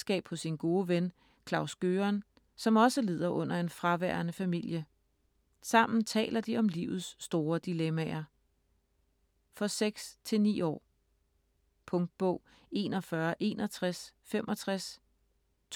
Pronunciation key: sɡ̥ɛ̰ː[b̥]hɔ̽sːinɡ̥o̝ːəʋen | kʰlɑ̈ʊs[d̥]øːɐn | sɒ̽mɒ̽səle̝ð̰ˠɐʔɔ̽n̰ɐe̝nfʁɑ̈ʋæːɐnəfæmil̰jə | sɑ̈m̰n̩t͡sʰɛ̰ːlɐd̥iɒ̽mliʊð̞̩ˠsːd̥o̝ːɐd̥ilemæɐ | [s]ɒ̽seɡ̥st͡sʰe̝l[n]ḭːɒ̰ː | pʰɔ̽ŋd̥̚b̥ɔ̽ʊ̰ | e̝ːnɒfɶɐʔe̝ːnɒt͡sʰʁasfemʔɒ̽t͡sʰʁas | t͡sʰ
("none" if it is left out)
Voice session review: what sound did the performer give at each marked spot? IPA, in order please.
b̥, ɡ̥, f, n

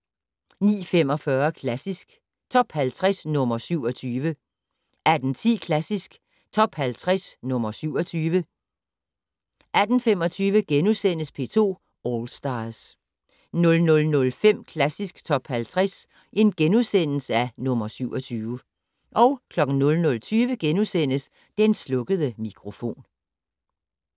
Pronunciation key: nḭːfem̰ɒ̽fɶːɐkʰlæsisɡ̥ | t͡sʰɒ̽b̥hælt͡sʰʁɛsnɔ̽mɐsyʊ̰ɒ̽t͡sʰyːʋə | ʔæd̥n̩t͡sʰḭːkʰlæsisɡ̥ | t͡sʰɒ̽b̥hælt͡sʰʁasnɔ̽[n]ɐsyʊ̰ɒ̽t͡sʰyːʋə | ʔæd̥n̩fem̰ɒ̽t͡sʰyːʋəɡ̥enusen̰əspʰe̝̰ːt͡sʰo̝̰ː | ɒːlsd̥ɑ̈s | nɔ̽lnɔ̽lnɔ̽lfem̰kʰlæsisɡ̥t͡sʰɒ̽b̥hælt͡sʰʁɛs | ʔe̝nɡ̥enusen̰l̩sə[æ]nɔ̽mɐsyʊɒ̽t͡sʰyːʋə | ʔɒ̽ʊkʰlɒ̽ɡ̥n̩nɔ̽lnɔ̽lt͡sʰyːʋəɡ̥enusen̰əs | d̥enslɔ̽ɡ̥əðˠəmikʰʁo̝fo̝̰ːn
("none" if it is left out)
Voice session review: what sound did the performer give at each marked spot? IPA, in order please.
m, æ

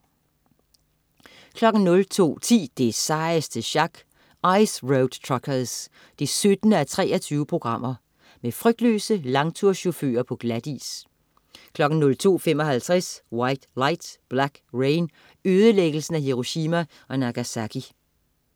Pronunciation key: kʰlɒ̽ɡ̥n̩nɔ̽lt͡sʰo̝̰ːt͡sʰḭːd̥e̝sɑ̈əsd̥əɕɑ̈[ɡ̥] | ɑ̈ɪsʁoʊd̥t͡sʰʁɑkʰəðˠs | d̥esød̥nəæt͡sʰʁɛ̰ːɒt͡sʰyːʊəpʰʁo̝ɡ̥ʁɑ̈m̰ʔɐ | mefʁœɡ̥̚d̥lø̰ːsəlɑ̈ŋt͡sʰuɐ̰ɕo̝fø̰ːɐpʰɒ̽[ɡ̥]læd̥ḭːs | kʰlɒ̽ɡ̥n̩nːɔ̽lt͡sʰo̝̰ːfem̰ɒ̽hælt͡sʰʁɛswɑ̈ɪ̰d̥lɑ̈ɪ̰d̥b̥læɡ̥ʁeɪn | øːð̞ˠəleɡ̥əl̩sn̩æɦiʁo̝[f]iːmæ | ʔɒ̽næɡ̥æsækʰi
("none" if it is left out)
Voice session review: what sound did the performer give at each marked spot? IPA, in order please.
ɡ̥, ɡ̥, ɕ

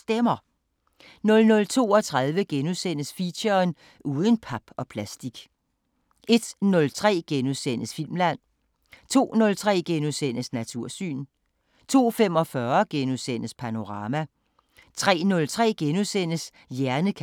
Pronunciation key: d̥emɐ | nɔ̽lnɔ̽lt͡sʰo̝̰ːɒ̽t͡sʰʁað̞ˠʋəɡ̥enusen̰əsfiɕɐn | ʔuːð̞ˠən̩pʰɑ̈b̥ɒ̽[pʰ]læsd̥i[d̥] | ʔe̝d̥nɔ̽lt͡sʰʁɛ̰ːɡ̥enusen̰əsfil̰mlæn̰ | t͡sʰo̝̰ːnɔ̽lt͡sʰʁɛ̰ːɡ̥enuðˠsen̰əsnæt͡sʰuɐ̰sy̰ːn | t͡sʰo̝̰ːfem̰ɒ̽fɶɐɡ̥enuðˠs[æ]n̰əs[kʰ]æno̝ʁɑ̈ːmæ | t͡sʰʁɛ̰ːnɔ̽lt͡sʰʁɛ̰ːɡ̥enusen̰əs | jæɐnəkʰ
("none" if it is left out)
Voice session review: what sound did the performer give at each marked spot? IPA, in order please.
pʰ, ɡ̥, e, pʰ

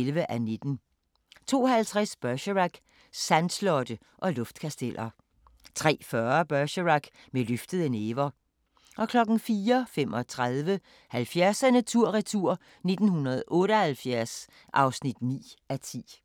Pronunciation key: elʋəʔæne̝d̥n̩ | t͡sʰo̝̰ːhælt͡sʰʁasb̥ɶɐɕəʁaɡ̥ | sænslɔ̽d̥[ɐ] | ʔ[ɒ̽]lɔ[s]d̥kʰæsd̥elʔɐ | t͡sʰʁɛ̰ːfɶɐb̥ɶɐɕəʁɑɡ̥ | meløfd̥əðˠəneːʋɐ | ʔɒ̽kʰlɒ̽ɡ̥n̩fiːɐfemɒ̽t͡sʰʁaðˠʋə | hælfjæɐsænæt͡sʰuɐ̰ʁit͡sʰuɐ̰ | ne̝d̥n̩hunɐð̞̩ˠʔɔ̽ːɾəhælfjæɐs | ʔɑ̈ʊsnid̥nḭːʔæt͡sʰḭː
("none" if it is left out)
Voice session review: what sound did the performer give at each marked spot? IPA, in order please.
ə, ɒ̽, f

